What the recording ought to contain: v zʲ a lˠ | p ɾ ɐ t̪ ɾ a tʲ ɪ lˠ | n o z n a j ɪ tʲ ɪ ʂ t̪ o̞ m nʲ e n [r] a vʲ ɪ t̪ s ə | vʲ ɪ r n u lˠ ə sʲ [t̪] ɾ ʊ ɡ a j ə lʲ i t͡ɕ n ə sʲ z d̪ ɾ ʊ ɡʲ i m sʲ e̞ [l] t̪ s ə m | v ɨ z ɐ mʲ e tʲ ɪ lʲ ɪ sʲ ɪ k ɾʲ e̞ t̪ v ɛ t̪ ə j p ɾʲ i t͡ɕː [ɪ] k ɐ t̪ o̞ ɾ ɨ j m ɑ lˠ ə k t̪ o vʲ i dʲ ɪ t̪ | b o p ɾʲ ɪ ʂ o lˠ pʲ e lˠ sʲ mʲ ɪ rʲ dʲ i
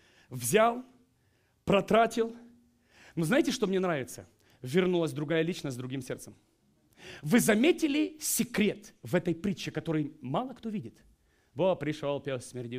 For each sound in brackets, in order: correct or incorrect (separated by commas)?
incorrect, incorrect, incorrect, correct